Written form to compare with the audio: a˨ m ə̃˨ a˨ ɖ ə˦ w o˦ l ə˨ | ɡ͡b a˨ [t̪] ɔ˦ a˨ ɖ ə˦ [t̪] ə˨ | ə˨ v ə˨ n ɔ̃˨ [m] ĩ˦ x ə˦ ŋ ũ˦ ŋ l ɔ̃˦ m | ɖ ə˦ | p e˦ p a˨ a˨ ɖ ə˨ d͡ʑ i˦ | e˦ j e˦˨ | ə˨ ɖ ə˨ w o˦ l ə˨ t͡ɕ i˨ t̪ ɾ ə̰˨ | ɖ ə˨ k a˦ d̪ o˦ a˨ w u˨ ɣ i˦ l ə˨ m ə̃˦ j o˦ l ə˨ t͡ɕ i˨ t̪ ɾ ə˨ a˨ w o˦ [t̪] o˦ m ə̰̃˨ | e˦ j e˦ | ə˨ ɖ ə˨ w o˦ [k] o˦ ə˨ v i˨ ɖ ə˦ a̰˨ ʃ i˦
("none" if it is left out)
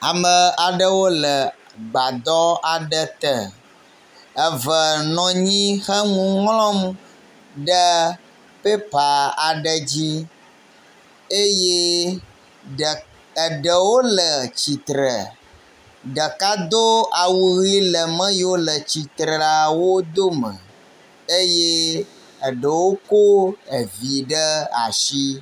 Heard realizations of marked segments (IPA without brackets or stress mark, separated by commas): d̪, t̪, ɲ, d̪, k